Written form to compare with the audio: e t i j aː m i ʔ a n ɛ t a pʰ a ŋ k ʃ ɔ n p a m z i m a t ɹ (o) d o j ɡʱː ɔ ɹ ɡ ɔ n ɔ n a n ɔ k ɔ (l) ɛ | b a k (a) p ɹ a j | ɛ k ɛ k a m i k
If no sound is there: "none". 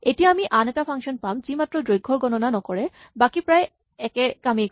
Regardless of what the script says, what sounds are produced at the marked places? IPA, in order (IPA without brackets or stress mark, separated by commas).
ɔ, ɹ, i